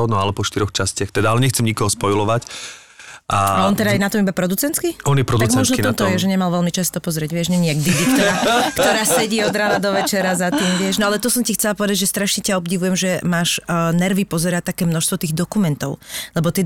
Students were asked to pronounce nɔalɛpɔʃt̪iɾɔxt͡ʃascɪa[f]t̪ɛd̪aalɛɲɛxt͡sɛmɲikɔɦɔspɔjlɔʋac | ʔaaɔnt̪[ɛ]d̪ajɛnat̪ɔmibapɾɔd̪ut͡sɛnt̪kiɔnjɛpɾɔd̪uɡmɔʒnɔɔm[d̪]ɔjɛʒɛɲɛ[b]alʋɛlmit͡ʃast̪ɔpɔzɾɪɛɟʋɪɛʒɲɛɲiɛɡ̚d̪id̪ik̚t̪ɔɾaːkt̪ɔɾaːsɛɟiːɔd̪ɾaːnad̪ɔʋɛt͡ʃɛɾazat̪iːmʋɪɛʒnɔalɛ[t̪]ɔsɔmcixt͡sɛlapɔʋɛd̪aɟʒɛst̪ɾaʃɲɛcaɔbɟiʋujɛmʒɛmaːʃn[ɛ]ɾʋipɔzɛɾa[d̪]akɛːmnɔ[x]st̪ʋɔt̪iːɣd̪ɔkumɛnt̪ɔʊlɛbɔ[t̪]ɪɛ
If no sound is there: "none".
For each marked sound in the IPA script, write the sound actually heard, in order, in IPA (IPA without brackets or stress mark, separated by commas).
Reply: x, ɛ, t̪, m, t̪, ɛ, t̪, ʃ, t̪